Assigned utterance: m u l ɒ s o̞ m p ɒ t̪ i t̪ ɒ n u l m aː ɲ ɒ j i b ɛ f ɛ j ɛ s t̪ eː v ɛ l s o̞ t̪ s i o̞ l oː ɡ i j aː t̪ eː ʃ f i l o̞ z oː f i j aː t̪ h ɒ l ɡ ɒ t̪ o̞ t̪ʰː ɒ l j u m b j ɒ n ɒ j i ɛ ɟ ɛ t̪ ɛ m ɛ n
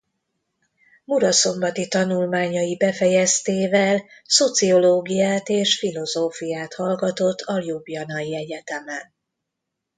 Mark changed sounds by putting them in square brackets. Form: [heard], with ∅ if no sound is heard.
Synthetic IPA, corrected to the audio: m u [ɾ] ɒ s o̞ m [b] ɒ t̪ i t̪ ɒ n u l m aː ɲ ɒ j i b ɛ f ɛ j ɛ s t̪ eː v ɛ l s o̞ t̪ s i o̞ l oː ɡ i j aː t̪ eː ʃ f i l o̞ z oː f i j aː t̪ h ɒ l ɡ ɒ t̪ o̞ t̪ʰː ɒ l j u [∅] b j ɒ n ɒ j i ɛ ɟ ɛ t̪ ɛ m ɛ n